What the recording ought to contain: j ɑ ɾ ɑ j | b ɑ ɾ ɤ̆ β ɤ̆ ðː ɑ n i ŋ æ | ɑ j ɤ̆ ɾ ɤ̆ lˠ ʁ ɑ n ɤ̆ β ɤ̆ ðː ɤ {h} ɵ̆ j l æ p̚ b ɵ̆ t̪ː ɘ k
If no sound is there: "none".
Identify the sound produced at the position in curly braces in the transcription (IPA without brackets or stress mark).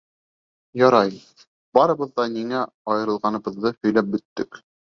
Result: h